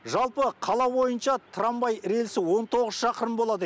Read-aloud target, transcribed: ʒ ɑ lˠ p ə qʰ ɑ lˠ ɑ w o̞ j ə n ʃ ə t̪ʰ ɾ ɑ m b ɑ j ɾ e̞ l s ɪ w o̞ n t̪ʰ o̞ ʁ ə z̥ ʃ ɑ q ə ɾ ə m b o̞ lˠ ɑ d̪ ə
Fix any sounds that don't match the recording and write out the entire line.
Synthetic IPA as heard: ʒ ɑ lˠ p ə qʰ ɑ lˠ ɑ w o̞ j ə n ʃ ɑ t̪ʰ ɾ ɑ m b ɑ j ɾ e̞ l s ɪ w o̞ n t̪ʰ o̞ ʁ ə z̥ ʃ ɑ q ə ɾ ə m b o̞ lˠ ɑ d̪ ə